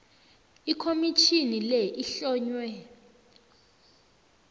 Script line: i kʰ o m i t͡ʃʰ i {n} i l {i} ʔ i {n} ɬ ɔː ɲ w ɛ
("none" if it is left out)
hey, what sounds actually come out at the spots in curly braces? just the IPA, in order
n, ɛ, none

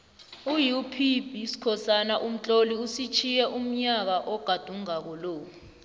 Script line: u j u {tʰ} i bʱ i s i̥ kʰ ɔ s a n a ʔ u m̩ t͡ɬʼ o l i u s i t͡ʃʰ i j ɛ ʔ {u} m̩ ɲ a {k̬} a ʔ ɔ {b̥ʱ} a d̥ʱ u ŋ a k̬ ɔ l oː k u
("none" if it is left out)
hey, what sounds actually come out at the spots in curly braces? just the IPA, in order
pʰ, u, k̬, ɡ̥ʱ

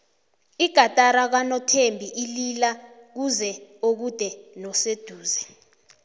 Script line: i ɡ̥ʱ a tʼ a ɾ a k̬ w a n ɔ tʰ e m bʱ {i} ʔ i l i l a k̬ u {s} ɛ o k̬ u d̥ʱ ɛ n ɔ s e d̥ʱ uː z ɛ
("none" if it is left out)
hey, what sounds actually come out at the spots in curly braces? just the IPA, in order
i, z

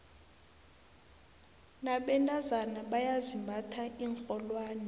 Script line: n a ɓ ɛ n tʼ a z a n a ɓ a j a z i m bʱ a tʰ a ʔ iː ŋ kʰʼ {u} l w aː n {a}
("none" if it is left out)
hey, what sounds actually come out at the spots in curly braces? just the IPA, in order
ɔ, ɛ

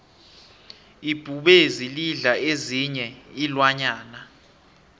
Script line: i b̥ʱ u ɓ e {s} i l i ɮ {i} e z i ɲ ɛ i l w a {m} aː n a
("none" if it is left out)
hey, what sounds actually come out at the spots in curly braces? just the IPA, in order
z, a, ɲ

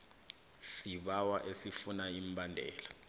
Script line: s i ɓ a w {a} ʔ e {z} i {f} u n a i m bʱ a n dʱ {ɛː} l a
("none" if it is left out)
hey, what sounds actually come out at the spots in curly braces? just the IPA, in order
a, s, f, ɛː

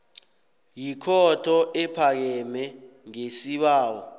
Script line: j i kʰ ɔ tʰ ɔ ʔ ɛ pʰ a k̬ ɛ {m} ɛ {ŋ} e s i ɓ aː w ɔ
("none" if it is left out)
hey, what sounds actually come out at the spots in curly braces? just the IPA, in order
m, ŋ

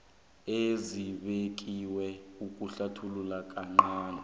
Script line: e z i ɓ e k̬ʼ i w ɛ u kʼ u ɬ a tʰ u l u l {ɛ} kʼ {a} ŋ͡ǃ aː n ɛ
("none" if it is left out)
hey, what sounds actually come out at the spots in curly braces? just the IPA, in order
a, a

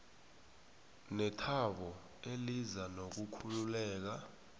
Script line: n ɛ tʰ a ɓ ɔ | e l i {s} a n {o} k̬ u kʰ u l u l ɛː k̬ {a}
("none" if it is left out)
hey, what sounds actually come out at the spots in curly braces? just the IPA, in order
z, o, a

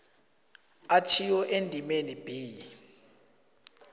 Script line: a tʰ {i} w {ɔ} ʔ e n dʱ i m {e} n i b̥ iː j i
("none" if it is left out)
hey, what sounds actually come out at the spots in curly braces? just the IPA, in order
i, ɔ, e

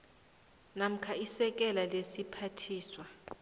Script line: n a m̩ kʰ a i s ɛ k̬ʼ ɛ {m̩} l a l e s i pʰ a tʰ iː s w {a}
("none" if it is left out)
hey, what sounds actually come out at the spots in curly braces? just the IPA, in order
none, a

